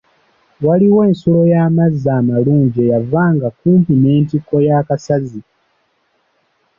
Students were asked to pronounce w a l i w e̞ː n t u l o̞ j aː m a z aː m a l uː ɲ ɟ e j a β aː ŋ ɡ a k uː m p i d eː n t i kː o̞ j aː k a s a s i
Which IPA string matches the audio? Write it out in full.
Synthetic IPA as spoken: w a l i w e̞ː n s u l o̞ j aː m a z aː m a l uː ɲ ɟ e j a v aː ŋ ɡ a k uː m p i n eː n t i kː o̞ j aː k a s a z i